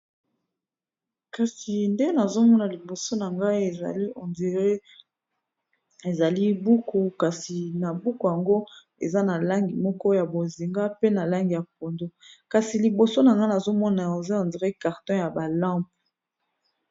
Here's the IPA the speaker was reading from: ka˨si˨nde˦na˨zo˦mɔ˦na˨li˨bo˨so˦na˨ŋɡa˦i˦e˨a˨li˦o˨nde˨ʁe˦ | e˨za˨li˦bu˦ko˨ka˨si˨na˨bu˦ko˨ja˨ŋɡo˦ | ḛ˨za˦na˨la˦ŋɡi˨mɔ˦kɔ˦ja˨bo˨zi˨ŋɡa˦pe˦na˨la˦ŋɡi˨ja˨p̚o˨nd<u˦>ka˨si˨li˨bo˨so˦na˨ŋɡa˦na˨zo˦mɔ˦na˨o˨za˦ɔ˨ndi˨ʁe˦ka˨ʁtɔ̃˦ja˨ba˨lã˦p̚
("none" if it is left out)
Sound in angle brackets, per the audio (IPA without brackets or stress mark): o˦